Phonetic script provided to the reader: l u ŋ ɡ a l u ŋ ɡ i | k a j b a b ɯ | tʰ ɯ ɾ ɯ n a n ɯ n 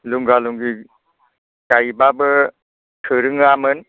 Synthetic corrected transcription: l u ŋ ɡ a l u ŋ ɡ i | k a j b a b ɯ | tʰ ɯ ɾ ɯ ŋ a m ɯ n